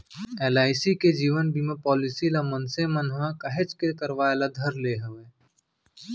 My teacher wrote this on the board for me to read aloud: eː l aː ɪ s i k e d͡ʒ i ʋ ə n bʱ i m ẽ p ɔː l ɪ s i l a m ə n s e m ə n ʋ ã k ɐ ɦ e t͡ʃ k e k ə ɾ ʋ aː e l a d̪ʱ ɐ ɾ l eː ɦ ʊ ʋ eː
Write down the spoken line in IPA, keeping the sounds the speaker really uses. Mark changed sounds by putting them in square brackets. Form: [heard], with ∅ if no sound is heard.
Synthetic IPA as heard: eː l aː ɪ s i k e d͡ʒ [iː] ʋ ə n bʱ i m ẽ p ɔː l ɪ s i l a m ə n s e m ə n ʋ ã k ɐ ɦ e t͡ʃ k e k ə ɾ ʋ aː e l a d̪ʱ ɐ ɾ l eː ɦ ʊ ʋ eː